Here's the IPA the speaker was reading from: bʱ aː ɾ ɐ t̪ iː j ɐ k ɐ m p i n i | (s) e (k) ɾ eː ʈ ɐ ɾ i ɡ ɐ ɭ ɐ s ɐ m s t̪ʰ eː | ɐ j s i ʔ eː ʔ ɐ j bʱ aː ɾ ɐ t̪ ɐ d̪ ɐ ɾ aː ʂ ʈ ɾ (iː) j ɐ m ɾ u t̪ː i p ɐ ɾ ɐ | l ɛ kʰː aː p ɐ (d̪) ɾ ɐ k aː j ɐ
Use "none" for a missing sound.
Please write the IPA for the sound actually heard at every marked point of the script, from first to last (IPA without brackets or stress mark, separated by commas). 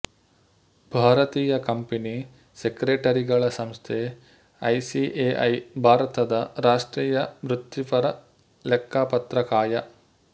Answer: s, k, iː, t̪